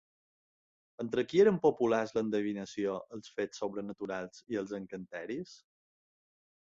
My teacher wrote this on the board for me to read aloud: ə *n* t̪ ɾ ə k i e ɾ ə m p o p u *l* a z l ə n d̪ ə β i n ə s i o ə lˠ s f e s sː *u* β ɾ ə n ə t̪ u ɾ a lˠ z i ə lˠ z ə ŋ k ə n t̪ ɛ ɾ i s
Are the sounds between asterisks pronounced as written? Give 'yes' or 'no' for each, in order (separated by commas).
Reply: yes, yes, no